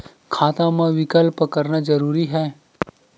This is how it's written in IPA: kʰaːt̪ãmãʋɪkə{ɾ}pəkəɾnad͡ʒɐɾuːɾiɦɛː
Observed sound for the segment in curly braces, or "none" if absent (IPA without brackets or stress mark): l